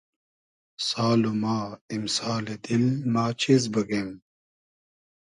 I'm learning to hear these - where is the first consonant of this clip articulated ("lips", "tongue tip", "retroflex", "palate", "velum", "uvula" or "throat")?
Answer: tongue tip